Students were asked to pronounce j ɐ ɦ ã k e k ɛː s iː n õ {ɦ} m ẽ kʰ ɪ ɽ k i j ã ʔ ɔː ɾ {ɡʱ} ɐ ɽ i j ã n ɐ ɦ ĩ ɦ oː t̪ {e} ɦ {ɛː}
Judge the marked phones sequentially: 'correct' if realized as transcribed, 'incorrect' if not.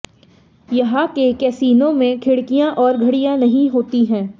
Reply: incorrect, correct, incorrect, incorrect

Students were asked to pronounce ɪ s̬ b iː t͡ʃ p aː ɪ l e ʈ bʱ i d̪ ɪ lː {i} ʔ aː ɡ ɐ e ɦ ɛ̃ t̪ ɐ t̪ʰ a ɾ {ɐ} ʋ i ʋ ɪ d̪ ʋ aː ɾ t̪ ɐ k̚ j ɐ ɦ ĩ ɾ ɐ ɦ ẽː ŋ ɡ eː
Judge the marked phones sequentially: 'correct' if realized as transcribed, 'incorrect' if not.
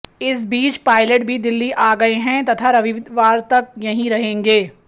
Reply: correct, correct

